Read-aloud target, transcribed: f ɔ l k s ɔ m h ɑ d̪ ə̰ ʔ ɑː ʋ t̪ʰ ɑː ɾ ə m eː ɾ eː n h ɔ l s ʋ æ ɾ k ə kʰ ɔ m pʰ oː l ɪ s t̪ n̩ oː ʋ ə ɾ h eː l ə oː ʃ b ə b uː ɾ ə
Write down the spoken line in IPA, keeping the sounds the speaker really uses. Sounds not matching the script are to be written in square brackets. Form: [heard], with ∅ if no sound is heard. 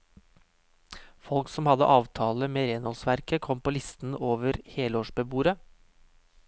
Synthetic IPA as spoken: f ɔ l k s ɔ m h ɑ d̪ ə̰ ʔ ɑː ʋ t̪ʰ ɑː [l] ə m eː ɾ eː n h ɔ l s ʋ æ ɾ k ə kʰ ɔ m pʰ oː l ɪ s t̪ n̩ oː ʋ ə ɾ h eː l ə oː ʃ b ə b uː ɾ ə